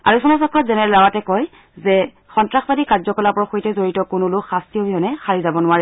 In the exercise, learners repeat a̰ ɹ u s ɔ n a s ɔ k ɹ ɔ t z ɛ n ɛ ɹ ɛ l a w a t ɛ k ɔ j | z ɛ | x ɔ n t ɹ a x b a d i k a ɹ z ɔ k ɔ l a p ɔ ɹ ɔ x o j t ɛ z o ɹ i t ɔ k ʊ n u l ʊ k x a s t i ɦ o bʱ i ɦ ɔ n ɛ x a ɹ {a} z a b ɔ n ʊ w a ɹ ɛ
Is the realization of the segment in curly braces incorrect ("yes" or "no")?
yes